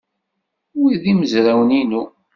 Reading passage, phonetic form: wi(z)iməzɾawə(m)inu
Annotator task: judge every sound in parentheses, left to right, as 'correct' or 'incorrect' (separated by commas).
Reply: incorrect, incorrect